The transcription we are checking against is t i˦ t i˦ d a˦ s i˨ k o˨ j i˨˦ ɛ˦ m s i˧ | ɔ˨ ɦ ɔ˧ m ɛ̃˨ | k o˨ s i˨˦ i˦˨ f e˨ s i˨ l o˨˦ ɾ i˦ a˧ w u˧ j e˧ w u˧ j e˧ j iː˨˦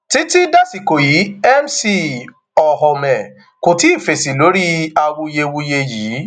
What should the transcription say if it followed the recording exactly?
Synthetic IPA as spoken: t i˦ t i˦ d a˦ s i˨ k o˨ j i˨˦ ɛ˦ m s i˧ | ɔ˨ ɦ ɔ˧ m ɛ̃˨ | k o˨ t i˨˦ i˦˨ f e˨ s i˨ l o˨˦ ɾ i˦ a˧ w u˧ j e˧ w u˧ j e˧ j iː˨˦